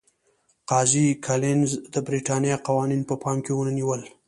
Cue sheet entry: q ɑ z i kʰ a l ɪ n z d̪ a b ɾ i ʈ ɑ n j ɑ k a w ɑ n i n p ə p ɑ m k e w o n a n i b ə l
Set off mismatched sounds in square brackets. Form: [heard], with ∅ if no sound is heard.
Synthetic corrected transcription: q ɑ z i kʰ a l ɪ n z d̪ [ə] b ɾ i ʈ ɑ n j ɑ [q] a w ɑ n i n p ə p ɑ m k e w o n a n i [w] ə l